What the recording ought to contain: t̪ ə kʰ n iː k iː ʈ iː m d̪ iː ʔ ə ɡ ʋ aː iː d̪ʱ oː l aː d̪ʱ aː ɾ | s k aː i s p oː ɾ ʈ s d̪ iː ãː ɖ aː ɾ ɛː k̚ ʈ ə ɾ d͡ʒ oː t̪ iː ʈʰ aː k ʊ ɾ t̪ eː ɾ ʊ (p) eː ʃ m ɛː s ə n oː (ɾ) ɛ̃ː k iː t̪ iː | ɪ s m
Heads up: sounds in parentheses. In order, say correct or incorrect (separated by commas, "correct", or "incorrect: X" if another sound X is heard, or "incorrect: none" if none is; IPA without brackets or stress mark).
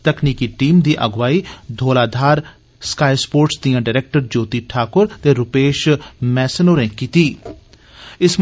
correct, correct